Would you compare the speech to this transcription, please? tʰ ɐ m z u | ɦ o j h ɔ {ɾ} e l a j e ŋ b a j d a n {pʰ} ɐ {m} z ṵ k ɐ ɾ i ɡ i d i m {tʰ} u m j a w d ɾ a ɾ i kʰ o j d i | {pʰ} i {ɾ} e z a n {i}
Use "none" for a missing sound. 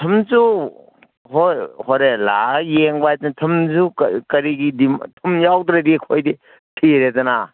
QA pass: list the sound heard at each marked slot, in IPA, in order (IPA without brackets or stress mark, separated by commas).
ɾ, tʰ, m, tʰ, tʰ, ɾ, a